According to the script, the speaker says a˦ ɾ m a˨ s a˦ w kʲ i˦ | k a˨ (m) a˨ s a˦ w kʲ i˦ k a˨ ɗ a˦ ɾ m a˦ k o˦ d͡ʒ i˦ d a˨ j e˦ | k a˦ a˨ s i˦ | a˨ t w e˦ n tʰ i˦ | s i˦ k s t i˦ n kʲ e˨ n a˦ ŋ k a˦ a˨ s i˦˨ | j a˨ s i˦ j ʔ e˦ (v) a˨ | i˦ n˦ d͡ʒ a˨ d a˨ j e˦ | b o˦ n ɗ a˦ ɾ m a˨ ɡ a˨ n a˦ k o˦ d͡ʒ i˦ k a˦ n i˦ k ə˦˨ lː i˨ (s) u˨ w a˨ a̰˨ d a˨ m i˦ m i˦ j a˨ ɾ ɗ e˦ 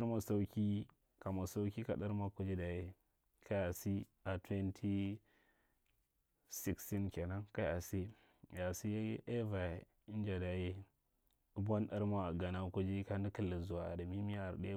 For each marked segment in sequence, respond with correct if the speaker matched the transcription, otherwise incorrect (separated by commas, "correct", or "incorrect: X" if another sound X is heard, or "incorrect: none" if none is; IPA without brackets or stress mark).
correct, correct, incorrect: z